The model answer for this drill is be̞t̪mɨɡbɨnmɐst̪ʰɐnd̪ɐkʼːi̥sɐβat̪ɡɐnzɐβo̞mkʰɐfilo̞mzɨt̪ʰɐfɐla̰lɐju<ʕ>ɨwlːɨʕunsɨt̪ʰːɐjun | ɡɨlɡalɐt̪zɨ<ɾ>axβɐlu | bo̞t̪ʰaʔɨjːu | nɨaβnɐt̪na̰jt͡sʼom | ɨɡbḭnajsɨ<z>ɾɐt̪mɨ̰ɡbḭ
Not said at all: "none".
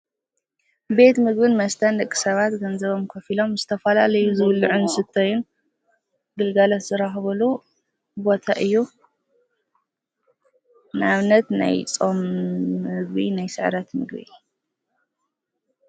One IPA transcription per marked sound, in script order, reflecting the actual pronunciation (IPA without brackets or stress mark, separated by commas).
z, ɾ, ʕ